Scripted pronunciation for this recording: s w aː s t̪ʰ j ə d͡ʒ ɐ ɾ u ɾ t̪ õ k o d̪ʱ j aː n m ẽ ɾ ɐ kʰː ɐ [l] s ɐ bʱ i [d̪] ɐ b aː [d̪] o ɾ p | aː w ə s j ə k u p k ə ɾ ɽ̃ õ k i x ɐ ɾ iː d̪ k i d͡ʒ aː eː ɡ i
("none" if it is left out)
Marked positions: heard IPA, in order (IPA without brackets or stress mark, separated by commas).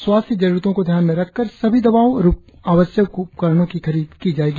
ɾ, d̪, none